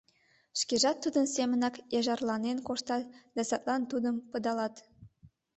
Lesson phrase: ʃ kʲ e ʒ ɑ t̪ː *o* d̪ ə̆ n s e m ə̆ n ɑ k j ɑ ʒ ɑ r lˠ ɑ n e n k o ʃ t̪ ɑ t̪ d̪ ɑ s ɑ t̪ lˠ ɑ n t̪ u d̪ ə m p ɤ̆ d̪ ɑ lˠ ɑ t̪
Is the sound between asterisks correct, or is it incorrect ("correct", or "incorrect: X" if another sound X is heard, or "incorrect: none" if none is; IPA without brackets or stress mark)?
incorrect: u